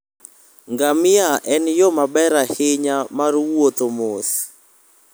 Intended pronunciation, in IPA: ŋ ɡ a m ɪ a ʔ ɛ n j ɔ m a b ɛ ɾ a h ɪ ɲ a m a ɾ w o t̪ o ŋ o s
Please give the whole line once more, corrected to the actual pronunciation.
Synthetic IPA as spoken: ŋ ɡ a m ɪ a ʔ ɛ n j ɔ m a b ɛ ɾ a h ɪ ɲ a m a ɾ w o t̪ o m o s